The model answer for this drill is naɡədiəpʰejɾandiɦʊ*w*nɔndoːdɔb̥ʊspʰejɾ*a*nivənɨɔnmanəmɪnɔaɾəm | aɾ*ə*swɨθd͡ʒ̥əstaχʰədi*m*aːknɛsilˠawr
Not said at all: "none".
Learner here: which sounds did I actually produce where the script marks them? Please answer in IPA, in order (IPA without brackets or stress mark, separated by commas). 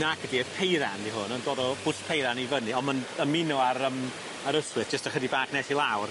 none, a, ə, b